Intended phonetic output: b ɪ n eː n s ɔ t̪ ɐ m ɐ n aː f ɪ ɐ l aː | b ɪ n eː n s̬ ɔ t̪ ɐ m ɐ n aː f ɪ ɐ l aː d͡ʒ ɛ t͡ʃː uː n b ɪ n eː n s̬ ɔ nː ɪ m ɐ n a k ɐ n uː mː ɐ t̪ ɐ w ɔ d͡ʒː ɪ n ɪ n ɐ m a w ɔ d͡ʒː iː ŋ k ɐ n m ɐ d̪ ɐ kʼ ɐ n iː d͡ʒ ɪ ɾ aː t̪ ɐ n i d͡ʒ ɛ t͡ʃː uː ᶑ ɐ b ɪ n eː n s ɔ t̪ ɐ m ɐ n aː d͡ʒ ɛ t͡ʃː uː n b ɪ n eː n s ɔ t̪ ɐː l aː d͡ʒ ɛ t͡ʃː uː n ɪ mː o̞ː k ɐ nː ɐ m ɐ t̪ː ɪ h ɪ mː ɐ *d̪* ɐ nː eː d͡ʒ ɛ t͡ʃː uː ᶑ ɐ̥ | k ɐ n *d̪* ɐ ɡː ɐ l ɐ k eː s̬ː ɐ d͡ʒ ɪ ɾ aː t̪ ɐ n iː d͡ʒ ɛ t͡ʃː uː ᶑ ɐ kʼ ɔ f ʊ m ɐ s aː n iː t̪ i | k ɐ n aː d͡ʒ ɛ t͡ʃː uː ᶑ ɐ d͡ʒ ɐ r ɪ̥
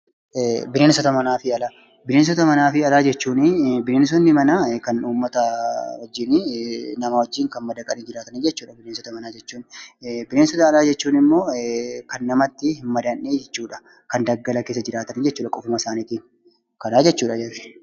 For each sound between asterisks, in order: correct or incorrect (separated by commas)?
correct, correct